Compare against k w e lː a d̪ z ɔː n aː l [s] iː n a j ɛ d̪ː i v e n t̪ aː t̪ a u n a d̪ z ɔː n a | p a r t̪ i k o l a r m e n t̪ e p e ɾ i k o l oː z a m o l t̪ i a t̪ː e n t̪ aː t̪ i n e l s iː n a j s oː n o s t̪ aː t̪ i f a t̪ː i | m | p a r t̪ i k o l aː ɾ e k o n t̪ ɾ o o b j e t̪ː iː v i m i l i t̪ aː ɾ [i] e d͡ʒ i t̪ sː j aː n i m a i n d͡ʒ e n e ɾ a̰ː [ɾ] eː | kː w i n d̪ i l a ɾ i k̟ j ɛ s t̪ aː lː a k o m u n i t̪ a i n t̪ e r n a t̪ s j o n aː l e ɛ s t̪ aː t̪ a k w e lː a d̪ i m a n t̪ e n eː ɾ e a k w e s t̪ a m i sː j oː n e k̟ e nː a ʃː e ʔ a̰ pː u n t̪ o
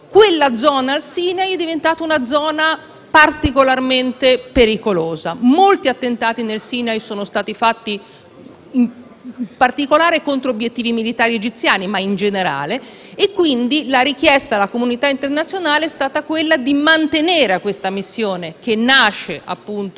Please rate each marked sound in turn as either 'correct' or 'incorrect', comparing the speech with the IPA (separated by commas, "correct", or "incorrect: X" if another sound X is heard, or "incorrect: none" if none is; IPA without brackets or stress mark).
correct, correct, incorrect: l